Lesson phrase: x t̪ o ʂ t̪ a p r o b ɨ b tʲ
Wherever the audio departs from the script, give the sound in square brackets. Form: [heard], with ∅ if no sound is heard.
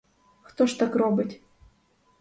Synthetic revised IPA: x t̪ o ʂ t̪ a [k] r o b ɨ [∅] tʲ